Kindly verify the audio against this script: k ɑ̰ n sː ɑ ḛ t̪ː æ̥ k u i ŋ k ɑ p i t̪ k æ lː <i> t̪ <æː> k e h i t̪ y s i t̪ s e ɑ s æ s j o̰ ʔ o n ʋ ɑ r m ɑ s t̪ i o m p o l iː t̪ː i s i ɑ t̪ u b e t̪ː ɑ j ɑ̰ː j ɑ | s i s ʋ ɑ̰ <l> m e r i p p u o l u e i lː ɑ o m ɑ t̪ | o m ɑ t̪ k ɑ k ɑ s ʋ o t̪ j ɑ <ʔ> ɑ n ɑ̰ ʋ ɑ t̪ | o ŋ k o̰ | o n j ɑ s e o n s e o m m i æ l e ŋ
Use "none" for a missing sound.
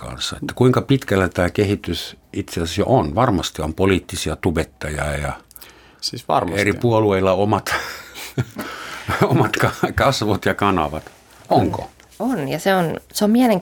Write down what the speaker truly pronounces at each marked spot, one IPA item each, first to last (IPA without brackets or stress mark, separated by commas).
æ, æː, r, k